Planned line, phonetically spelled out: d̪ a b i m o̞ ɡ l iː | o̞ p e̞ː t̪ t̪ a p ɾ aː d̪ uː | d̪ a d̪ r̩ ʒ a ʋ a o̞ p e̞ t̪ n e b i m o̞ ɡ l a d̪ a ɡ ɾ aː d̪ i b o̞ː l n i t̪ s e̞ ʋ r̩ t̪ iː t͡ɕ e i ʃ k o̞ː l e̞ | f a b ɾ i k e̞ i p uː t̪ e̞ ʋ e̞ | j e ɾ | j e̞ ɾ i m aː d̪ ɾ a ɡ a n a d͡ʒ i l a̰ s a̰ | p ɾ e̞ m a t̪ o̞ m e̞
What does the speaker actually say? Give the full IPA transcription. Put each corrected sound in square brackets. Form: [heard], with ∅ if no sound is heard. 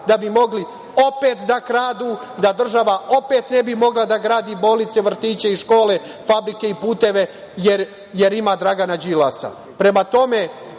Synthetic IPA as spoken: d̪ a b i m o̞ ɡ l [i] | o̞ p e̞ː t̪ [d̪] a [k] ɾ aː d̪ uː | d̪ a d̪ r̩ ʒ a ʋ a o̞ p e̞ t̪ n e b i m o̞ ɡ l a d̪ a ɡ ɾ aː d̪ i b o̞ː l n i t̪ s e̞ ʋ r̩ t̪ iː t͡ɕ e i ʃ k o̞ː l e̞ | f a b ɾ i k e̞ i p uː t̪ e̞ ʋ e̞ | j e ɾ | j e̞ ɾ i m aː d̪ ɾ a ɡ a n a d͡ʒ i l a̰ s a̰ | p ɾ e̞ m a t̪ o̞ m e̞